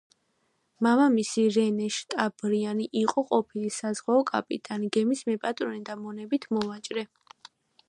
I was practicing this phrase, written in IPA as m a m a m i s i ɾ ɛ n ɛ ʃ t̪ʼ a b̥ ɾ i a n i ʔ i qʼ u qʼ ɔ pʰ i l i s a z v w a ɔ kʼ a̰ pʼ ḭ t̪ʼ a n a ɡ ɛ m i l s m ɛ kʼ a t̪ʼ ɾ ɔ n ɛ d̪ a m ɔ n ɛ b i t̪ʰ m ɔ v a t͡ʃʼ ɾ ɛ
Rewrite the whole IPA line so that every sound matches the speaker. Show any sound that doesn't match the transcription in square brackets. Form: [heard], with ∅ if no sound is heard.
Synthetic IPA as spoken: m a m a m i s i ɾ ɛ n ɛ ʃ t̪ʼ a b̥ ɾ i a n i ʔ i qʼ [ɔ] qʼ ɔ pʰ i l i s a z [ʁ] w a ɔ kʼ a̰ pʼ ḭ t̪ʼ a n [i] ɡ ɛ m i [∅] s m ɛ [pʼ] a t̪ʼ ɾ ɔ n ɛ d̪ a m ɔ n ɛ b i t̪ʰ m ɔ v a t͡ʃʼ ɾ ɛ

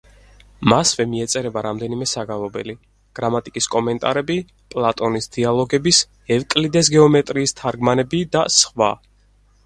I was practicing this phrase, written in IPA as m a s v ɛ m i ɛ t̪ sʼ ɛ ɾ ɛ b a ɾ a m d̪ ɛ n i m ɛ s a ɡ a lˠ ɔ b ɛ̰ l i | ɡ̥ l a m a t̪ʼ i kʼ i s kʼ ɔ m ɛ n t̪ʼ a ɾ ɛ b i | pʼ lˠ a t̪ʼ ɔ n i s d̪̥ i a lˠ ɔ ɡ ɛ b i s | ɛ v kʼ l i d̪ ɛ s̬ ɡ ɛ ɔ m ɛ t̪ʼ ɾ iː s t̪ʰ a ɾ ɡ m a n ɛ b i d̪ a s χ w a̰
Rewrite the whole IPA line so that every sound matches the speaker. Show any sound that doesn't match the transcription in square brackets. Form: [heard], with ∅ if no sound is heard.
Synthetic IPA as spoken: m a s v ɛ m i ɛ t̪ sʼ ɛ ɾ ɛ b a ɾ a m d̪ ɛ n i m ɛ s a ɡ a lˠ ɔ b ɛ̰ l i | ɡ̥ [ɾ] a m a t̪ʼ i kʼ i s kʼ ɔ m ɛ n t̪ʼ a ɾ ɛ b i | pʼ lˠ a t̪ʼ ɔ n i s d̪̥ i a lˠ ɔ ɡ ɛ b i s | ɛ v kʼ l i d̪ ɛ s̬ ɡ ɛ ɔ m ɛ t̪ʼ ɾ iː s t̪ʰ a ɾ ɡ m a n ɛ b i d̪ a s χ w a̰

